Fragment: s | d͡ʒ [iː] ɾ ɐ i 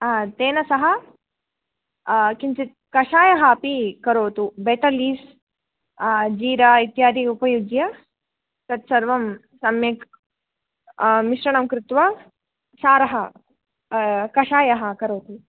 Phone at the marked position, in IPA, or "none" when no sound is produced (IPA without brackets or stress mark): iː